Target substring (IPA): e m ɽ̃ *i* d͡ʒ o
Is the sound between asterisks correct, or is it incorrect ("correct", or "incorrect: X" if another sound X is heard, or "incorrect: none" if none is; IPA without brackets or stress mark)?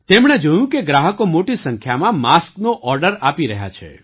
incorrect: e